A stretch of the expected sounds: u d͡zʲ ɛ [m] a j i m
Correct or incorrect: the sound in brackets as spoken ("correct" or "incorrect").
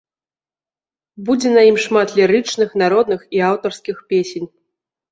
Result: incorrect